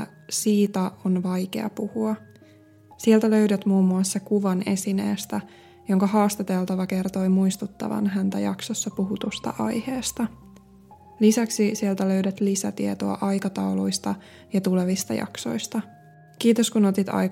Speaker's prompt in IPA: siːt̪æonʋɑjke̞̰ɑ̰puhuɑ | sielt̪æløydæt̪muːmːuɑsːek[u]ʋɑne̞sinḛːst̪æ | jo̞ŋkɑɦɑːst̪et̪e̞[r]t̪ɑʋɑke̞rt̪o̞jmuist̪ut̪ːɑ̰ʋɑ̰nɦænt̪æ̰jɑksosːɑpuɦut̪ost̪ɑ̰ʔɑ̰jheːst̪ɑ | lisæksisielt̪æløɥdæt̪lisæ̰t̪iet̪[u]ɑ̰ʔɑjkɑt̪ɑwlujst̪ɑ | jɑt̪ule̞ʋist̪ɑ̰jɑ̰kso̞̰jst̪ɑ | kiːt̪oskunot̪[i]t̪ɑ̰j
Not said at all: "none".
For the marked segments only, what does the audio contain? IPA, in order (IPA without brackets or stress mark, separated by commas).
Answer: u, l, o, i